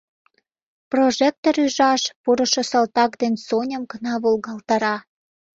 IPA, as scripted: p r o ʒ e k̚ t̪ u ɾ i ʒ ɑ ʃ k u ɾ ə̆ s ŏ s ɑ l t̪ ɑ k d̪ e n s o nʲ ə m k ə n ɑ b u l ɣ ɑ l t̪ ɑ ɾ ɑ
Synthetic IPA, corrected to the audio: p r o ʒ e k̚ t̪ o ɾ y ʒ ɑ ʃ p u ɾ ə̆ ʃ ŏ s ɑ l t̪ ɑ k d̪ e n s o nʲ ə m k ə n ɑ β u l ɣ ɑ l t̪ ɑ ɾ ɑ